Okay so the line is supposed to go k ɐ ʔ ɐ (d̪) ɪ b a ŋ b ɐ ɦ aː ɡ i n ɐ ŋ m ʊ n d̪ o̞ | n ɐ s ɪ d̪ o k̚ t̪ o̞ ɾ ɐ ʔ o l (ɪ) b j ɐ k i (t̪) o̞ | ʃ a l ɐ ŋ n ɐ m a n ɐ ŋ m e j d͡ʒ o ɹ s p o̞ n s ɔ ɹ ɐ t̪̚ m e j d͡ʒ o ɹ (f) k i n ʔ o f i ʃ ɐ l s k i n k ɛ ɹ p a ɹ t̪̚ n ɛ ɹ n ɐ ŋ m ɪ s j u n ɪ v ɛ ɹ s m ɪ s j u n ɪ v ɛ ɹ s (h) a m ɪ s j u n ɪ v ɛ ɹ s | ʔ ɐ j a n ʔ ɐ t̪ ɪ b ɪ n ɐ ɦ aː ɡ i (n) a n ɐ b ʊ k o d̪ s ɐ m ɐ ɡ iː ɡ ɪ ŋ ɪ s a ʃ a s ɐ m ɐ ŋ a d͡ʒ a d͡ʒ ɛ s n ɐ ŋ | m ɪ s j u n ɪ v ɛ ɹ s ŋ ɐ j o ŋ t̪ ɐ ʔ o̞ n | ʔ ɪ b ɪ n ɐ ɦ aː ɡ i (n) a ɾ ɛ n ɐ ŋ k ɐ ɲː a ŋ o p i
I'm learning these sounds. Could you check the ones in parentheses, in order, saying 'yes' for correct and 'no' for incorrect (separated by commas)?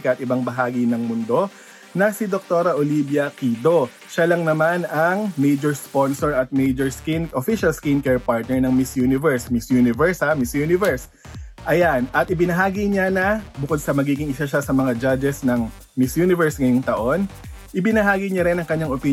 no, no, no, no, yes, no, no